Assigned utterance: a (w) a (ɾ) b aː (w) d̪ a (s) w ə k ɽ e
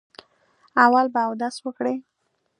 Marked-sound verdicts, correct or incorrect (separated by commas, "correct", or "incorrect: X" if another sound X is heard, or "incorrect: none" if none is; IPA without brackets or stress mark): correct, incorrect: l, correct, correct